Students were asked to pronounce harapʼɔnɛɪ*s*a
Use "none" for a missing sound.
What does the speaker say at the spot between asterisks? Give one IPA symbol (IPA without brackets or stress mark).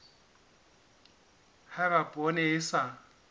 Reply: s